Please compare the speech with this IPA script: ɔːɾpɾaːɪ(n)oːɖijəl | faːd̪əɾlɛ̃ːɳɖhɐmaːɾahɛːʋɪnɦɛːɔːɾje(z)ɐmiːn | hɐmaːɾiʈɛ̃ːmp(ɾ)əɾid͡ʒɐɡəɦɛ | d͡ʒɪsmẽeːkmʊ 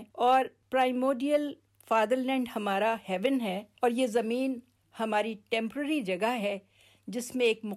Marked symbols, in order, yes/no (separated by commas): no, yes, yes